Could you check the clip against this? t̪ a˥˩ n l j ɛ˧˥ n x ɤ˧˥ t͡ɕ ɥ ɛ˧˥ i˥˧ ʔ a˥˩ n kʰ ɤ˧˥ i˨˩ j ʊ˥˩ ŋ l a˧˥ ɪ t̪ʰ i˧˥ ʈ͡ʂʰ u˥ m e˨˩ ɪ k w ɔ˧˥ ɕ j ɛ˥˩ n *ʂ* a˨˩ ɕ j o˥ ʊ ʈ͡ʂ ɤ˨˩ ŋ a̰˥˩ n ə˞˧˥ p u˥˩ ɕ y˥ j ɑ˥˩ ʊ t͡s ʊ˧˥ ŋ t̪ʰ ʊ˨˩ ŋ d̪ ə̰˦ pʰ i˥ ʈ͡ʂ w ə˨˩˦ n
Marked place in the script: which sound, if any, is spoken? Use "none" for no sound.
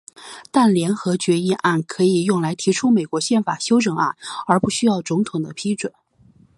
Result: f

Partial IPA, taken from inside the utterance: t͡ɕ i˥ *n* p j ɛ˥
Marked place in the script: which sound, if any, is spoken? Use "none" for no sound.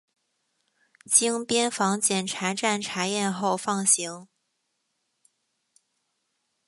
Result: ŋ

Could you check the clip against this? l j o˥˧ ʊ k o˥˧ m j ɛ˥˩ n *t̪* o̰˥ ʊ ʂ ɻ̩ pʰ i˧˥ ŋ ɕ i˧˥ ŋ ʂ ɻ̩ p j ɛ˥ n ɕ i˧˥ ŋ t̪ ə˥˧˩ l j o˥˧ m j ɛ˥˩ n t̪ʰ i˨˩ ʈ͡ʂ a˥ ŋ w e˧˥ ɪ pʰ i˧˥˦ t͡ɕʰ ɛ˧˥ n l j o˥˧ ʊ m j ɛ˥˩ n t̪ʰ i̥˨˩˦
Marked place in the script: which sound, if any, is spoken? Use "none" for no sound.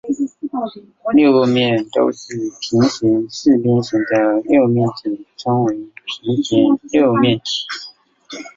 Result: t̪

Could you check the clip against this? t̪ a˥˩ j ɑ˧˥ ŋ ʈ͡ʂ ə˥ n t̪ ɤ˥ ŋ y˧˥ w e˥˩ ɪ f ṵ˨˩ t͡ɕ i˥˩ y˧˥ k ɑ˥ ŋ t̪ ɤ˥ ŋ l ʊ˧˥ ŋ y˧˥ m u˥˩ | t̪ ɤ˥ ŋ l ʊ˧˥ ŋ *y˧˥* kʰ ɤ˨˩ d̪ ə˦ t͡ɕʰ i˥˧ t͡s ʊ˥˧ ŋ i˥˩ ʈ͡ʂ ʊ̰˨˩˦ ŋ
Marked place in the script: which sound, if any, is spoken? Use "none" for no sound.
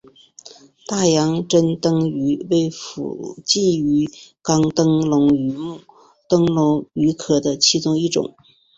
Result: y˧˥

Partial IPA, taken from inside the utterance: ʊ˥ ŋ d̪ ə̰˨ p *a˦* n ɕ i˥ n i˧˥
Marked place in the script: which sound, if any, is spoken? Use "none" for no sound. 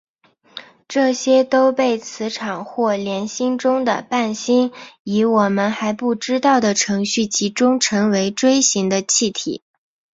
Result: a˥˩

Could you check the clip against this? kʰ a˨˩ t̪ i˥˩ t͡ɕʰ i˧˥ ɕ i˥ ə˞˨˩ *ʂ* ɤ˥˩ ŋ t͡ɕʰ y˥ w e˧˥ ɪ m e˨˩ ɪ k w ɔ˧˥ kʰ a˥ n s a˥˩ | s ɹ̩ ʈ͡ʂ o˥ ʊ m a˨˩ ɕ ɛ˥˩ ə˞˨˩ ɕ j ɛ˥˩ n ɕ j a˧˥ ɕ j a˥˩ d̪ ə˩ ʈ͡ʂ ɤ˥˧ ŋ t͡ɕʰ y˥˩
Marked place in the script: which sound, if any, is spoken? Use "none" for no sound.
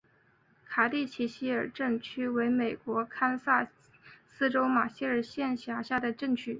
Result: ʈ͡ʂ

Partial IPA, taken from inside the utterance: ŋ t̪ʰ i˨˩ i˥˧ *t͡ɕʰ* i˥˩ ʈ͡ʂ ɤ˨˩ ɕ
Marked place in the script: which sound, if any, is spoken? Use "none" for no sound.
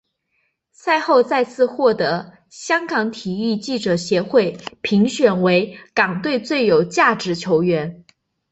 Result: t͡ɕ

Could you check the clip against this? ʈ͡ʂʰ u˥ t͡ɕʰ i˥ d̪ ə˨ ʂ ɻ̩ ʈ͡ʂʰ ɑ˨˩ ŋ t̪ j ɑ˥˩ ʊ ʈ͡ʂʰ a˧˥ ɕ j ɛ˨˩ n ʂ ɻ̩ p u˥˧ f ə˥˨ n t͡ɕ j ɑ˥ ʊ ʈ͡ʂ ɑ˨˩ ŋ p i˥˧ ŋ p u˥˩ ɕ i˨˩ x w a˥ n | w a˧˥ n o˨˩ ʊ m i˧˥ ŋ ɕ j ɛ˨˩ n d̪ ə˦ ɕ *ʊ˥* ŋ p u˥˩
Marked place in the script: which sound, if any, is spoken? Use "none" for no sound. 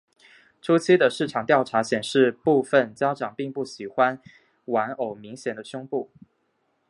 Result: ʊ˥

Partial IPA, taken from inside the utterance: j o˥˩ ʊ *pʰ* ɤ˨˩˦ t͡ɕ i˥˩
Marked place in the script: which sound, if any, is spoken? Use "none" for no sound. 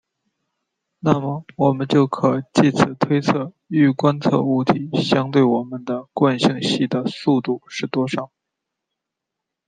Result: kʰ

